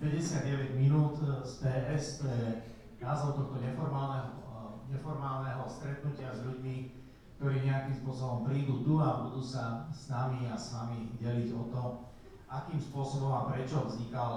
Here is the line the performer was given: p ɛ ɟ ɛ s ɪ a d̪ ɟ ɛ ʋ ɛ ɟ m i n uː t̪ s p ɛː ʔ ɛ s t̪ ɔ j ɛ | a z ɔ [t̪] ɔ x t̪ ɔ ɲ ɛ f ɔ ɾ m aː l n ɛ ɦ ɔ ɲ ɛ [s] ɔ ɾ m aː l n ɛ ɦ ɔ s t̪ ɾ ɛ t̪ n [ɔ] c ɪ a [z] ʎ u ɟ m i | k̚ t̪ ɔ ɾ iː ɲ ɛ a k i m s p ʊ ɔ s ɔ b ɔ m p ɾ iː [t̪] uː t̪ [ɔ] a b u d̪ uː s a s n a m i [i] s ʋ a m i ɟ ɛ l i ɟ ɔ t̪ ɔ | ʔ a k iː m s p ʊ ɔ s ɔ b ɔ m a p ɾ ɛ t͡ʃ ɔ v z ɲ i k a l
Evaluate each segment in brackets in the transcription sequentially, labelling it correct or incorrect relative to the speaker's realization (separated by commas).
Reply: correct, incorrect, incorrect, correct, incorrect, incorrect, incorrect